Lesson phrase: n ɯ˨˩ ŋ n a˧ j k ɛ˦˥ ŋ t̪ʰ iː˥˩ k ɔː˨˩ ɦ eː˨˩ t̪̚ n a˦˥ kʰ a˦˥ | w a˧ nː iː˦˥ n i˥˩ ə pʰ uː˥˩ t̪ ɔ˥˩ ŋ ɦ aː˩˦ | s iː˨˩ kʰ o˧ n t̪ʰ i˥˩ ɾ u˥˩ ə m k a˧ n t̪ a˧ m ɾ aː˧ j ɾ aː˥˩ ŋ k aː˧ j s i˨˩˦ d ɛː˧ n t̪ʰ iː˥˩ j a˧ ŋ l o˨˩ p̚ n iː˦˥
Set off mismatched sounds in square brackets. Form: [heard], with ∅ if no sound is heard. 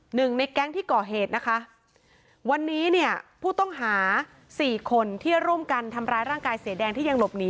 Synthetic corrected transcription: n ɯ˨˩ ŋ n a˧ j k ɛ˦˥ ŋ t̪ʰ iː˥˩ k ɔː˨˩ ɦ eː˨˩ t̪̚ n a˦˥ kʰ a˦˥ | w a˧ nː iː˦˥ n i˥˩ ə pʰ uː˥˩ t̪ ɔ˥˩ ŋ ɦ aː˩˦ | s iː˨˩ kʰ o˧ n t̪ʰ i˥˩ ɾ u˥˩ ə m k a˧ n [t̪ʰ] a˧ m ɾ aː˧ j ɾ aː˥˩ ŋ k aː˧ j s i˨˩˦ d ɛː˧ [ŋ] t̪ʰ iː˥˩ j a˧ ŋ l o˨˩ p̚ n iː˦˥